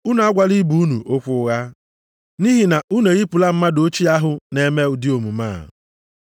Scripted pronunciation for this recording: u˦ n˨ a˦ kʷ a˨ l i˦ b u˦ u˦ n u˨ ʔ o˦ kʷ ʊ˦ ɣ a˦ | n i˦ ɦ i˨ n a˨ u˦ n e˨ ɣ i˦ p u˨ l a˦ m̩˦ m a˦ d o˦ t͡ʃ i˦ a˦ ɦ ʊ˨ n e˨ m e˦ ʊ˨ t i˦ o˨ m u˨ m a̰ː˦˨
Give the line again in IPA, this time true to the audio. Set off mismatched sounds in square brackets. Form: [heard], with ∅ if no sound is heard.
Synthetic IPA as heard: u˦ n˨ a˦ [ɡʷ] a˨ l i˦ b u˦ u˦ n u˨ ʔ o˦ kʷ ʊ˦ ɣ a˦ | n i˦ ɦ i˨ n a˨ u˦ n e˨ ɣ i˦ p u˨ l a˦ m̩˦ m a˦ d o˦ t͡ʃ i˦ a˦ ɦ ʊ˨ n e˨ m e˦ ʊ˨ [d] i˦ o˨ m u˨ m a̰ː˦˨